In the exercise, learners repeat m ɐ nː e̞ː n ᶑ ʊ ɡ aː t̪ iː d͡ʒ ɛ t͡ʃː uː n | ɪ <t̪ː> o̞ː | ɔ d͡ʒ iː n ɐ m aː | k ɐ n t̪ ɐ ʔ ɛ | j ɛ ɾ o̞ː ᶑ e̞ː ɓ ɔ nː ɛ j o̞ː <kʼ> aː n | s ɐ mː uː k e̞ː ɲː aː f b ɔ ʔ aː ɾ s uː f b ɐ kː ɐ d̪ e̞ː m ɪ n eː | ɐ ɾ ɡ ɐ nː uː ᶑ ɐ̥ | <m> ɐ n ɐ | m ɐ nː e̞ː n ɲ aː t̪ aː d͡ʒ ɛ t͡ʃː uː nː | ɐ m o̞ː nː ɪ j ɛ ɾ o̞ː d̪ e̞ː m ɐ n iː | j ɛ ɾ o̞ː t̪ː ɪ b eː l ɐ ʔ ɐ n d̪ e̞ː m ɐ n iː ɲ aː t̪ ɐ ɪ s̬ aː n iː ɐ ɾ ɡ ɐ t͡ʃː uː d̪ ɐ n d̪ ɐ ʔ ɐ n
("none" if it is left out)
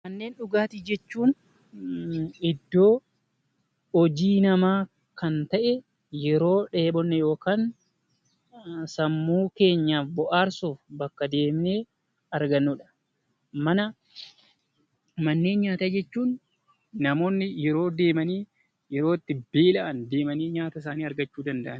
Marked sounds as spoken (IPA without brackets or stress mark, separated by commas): d̪ː, k, m